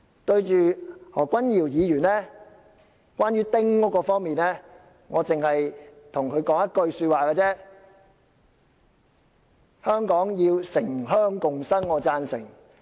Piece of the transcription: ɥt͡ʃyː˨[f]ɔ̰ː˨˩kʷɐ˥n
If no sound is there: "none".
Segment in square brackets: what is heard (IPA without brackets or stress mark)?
h